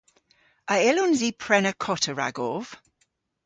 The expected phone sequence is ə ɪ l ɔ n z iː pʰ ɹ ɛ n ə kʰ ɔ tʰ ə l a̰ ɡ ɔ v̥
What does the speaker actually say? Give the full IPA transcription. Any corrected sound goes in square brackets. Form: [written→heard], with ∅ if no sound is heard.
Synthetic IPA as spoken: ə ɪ l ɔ n z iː pʰ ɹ ɛ n ə kʰ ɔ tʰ ə [l→ɹ] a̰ ɡ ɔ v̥